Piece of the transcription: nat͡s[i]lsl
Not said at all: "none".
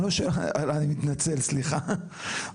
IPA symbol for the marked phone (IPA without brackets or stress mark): e